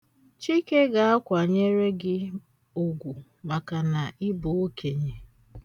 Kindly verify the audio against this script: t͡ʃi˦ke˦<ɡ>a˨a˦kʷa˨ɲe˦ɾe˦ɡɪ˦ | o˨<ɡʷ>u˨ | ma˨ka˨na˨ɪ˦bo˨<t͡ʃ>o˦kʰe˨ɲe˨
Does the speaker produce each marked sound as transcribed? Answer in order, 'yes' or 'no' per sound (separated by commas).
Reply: yes, yes, no